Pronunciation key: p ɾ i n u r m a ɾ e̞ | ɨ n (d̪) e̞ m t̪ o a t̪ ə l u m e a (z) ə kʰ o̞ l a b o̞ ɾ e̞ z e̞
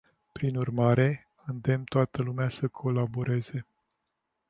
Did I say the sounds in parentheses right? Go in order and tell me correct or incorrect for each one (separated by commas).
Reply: correct, incorrect